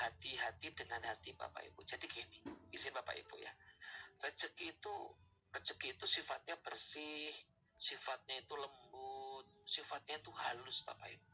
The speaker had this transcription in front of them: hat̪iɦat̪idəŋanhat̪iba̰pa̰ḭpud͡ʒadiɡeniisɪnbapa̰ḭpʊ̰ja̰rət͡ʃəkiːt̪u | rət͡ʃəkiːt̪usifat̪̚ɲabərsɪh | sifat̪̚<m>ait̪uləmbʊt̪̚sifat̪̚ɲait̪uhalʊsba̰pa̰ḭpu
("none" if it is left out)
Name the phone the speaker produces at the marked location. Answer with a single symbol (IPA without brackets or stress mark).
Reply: ɲ